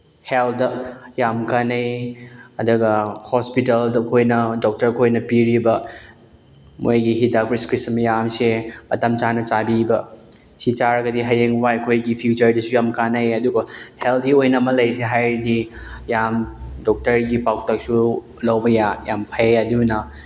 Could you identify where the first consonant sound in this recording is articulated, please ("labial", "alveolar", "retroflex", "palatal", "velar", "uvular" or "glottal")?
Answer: glottal